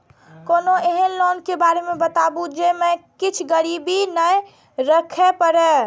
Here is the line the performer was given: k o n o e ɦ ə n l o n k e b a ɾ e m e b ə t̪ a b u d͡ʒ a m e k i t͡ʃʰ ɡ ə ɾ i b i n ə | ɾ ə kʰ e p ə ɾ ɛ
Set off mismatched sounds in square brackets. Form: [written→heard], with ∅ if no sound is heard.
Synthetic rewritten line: k o n o e ɦ ə n l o n k e b a ɾ e m e b ə t̪ a b u d͡ʒ [a→e] m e k i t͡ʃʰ ɡ ə ɾ i b i n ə | ɾ ə kʰ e p ə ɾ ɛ